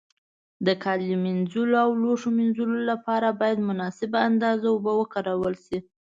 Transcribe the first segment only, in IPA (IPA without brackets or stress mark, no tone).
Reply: d̪